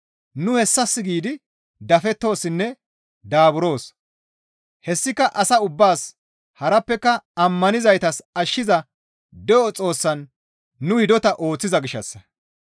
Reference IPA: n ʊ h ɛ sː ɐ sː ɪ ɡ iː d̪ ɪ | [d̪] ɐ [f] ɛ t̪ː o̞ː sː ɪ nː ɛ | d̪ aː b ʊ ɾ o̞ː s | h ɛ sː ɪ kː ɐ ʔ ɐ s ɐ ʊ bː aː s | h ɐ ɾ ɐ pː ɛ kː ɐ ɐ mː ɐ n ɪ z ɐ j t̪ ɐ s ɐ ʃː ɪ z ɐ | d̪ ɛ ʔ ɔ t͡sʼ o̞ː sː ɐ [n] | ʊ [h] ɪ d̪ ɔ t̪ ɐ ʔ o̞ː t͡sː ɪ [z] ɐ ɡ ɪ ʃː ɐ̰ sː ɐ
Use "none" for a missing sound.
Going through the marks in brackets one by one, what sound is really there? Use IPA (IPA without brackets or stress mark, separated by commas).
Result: d̪, f, nː, h, z